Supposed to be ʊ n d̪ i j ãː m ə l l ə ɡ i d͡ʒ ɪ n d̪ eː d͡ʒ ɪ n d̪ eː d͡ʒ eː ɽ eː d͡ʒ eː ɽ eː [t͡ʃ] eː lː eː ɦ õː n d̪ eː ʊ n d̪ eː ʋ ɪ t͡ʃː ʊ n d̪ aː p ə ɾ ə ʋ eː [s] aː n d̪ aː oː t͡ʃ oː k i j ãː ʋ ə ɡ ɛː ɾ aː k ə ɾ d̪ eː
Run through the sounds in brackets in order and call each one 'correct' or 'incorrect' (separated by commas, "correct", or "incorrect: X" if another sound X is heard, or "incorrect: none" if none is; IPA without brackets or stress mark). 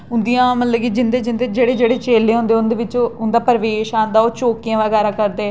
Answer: correct, incorrect: ʃ